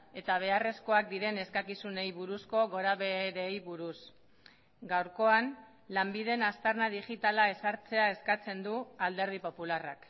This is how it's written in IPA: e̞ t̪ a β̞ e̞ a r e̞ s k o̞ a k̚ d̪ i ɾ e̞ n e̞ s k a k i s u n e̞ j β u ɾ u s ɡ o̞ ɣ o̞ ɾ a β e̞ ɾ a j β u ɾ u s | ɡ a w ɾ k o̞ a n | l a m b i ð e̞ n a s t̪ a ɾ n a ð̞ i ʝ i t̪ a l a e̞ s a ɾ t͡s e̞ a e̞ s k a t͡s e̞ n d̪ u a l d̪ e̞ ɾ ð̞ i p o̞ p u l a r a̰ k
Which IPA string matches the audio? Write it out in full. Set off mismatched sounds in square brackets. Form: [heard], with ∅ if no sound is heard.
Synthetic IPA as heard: e̞ t̪ a β̞ e̞ a r e̞ s k o̞ a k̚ d̪ i ɾ e̞ n e̞ s k a k i s u n e̞ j β u ɾ u s [k] o̞ ɣ o̞ ɾ a β e̞ ɾ [e] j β u ɾ u s | ɡ a w ɾ k o̞ a n | l a m b i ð e̞ n a s t̪ a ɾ n a ð̞ i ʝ i t̪ a l a e̞ s a ɾ t͡s e̞ a e̞ s k a t͡s e̞ n d̪ u a l d̪ e̞ ɾ ð̞ i p o̞ p u l a r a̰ k

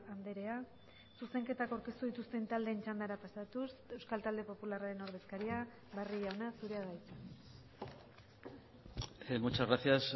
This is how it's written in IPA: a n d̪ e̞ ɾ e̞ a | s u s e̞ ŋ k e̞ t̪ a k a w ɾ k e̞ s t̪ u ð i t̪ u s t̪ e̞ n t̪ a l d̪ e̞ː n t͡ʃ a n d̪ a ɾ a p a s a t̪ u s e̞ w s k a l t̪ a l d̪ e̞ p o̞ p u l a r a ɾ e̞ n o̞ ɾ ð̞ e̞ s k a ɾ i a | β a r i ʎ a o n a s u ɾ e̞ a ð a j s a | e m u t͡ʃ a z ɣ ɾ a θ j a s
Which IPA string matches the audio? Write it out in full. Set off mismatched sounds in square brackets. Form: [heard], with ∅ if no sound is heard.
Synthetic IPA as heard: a n d̪ e̞ ɾ e̞ a | s u s e̞ ŋ k e̞ t̪ a k a w ɾ k e̞ s t̪ u ð i t̪ u s t̪ e̞ n t̪ a l d̪ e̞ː n t͡ʃ a n d̪ a ɾ a p a s a t̪ u s e̞ w s k a l t̪ a l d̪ e̞ p o̞ p u l a r a ɾ e̞ n o̞ ɾ ð̞ e̞ s k a ɾ i a | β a r i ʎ a o n a s u ɾ e̞ a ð a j [t͡s] a | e m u t͡ʃ a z ɣ ɾ a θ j a s

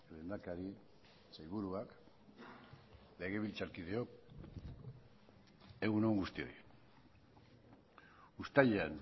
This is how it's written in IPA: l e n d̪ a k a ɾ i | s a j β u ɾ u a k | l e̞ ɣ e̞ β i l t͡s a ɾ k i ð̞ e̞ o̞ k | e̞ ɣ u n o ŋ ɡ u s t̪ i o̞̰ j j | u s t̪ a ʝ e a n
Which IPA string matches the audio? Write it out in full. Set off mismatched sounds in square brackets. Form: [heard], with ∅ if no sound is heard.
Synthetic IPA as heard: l e n d̪ a k a ɾ i | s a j β u ɾ u a k | l e̞ ɣ e̞ β i l t͡s a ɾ k i ð̞ e̞ o̞ k | e̞ ɣ u n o ŋ ɡ u s t̪ i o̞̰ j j | u s t̪ a [ʎ] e a n

